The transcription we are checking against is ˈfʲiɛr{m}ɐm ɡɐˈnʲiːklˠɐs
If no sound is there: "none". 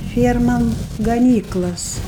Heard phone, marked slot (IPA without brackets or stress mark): m